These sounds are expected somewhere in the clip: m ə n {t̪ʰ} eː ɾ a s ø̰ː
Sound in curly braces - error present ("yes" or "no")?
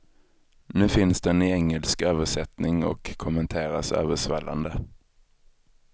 no